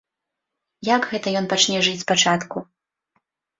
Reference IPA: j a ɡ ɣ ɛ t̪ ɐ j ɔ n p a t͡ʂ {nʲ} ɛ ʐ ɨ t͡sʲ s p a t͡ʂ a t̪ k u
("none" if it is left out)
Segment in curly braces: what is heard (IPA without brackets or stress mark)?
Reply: nʲ